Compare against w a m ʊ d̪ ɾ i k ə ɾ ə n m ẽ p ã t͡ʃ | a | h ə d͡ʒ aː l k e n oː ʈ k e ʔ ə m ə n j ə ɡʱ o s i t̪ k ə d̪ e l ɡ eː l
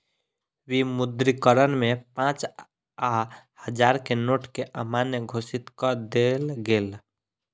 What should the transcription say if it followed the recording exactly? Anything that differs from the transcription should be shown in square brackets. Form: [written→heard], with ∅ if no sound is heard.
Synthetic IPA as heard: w [a→i] m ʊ d̪ ɾ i k ə ɾ ə n m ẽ p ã t͡ʃ | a | h ə d͡ʒ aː [l→ɾ] k e n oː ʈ k e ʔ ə m [ə→a] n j ə ɡʱ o s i t̪ k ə d̪ e l ɡ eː l